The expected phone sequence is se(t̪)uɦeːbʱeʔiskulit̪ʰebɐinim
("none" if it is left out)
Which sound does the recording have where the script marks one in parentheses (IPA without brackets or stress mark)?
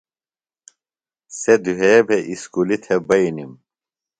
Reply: d̪